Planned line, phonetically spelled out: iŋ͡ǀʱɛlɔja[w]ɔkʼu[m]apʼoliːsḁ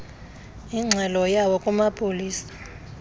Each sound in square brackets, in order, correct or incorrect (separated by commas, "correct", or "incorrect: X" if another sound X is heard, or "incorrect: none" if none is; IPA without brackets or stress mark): correct, correct